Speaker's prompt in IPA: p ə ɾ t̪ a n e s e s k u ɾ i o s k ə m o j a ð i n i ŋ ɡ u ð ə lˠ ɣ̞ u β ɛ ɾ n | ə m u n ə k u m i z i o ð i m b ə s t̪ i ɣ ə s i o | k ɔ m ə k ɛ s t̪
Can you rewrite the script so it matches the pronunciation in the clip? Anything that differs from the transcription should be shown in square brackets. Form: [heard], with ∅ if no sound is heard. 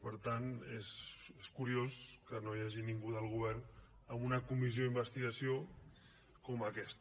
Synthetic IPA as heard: p ə ɾ t̪ a n e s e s k u ɾ i o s k ə [n] o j a [ʒ] i n i ŋ ɡ u ð ə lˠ ɣ̞ u β ɛ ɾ n | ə m u n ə k u m i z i o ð i m b ə s t̪ i ɣ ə s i o | k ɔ m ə k ɛ s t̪